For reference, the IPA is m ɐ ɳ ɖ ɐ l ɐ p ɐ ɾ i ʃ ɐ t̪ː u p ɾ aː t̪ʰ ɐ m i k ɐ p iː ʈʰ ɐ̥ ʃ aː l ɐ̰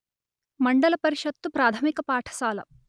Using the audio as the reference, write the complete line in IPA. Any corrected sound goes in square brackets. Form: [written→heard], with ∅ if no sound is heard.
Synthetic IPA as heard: m ɐ ɳ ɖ ɐ l ɐ p ɐ ɾ i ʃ ɐ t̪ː u p ɾ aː t̪ʰ ɐ m i k ɐ p [iː→aː] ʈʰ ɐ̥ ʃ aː l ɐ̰